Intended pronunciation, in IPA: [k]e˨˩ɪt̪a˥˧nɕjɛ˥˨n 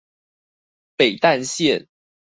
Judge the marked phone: incorrect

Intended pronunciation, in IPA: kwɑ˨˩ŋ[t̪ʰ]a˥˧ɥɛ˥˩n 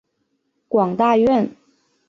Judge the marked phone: incorrect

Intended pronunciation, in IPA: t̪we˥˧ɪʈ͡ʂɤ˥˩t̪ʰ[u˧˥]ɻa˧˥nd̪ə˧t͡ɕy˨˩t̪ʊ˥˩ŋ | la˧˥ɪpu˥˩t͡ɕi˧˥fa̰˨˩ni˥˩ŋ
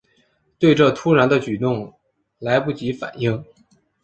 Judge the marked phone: incorrect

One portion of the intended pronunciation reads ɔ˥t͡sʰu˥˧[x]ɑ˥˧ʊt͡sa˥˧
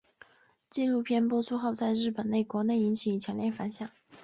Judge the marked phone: correct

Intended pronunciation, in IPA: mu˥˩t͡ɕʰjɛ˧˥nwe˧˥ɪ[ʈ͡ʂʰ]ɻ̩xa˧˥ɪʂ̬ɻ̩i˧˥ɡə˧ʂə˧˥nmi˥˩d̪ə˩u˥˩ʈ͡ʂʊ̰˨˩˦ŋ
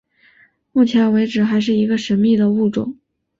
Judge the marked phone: incorrect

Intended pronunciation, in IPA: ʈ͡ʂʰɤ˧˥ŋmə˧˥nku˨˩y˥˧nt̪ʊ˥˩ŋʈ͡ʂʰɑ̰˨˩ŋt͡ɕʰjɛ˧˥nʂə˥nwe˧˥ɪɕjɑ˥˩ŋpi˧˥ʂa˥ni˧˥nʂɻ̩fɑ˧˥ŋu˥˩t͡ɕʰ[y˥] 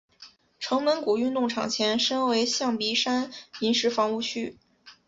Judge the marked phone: correct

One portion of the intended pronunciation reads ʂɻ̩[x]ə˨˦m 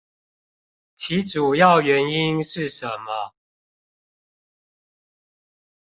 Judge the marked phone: incorrect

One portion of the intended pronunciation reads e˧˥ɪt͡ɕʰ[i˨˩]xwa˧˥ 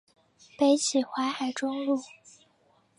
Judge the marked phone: correct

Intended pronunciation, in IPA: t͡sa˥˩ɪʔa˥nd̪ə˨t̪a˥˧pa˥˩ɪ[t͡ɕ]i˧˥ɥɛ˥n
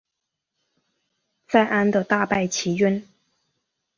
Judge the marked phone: incorrect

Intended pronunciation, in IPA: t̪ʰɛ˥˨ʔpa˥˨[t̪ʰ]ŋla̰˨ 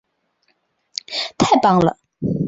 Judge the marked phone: incorrect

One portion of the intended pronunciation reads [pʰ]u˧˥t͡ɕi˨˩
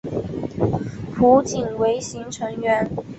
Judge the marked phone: correct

